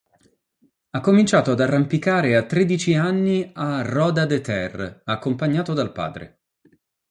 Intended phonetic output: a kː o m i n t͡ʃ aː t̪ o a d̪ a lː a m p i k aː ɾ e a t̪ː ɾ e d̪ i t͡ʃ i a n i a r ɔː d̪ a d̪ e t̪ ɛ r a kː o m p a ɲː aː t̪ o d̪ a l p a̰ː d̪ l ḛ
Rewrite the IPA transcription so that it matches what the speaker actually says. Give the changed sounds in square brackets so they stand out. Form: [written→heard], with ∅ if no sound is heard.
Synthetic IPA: a kː o m i n t͡ʃ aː t̪ o a d̪ a [lː→rː] a m p i k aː ɾ e a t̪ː ɾ e d̪ i t͡ʃ i a [n→nː] i a r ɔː d̪ a d̪ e t̪ ɛ r a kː o m p a ɲː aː t̪ o d̪ a l p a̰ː d̪ [l→ɾ] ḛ